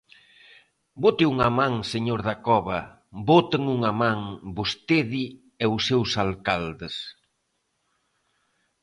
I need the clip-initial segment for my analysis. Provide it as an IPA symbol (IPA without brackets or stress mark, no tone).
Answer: b